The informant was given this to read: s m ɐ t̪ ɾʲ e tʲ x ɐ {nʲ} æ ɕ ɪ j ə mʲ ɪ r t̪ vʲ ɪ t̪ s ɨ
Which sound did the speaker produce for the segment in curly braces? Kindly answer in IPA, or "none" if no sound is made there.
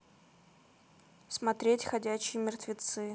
dʲ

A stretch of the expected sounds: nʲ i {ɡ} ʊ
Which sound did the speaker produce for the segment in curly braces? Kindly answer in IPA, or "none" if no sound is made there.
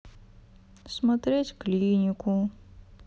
k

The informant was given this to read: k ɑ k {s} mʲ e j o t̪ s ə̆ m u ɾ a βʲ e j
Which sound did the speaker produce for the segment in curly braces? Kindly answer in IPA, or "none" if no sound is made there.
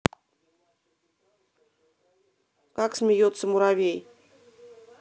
s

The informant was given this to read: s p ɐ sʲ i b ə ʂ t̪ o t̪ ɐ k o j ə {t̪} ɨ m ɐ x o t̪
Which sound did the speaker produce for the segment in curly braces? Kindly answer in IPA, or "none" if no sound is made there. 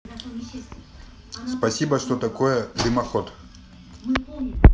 d̪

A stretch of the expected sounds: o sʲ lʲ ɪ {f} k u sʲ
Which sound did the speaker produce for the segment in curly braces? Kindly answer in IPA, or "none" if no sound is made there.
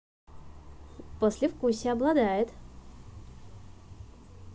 f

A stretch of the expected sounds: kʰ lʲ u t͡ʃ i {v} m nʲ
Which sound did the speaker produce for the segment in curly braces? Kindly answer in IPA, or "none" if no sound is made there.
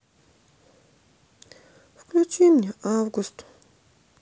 none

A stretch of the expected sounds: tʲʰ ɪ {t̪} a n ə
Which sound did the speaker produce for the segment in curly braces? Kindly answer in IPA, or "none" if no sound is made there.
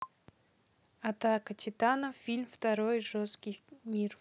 t̪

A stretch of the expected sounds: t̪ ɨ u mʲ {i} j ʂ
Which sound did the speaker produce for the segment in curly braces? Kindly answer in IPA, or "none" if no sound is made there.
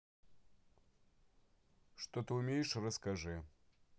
e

